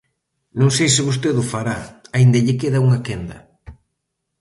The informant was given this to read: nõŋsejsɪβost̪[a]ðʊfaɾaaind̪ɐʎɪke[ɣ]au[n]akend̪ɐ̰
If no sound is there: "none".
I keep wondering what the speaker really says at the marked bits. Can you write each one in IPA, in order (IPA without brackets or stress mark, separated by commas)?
e, ð, ŋ